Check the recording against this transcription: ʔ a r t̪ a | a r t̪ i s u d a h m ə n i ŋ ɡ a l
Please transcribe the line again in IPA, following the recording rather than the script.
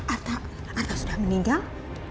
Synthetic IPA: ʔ a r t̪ a | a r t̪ a s u d a h m ə n i ŋ ɡ a l